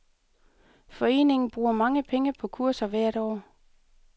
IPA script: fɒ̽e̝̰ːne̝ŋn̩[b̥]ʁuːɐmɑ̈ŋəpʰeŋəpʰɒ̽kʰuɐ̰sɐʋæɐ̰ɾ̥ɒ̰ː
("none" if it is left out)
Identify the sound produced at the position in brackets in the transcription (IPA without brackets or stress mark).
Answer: b̥